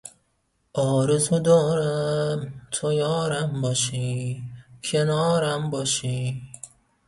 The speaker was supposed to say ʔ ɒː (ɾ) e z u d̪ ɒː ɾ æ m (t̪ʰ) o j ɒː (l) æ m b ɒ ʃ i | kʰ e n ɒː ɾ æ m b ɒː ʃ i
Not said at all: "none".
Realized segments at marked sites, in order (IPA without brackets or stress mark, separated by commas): ɾ, t̪ʰ, ɾ